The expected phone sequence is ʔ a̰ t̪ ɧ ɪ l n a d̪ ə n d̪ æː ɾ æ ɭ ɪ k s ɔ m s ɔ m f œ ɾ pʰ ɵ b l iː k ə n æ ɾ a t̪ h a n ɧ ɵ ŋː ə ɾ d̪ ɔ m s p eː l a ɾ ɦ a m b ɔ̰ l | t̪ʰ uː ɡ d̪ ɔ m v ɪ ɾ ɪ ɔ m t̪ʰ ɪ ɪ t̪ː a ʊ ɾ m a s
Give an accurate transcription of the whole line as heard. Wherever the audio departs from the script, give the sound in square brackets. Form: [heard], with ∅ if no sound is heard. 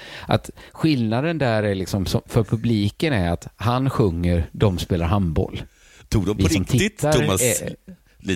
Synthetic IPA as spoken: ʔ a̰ t̪ ɧ ɪ l n a d̪ ə n d̪ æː ɾ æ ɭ ɪ k s ɔ m s ɔ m f œ ɾ pʰ ɵ b l iː k ə n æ ɾ a t̪ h a n ɧ ɵ ŋː ə ɾ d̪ ɔ m s p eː l a ɾ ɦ a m b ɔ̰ l | t̪ʰ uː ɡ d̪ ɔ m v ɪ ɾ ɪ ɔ m t̪ʰ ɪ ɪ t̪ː a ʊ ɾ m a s